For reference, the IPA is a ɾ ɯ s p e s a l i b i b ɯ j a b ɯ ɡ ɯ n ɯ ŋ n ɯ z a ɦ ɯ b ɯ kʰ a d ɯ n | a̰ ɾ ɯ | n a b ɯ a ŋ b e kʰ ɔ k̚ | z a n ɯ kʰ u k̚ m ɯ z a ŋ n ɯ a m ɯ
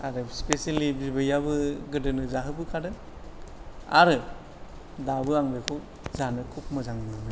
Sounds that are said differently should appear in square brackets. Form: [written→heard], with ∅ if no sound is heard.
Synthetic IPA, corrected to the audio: a ɾ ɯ s p e s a l i b i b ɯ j a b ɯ ɡ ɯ [n→d] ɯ [ŋ→∅] n ɯ z a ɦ ɯ b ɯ kʰ a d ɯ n | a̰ ɾ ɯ | [n→d] a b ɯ a ŋ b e kʰ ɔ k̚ | z a n ɯ kʰ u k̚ m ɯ z a ŋ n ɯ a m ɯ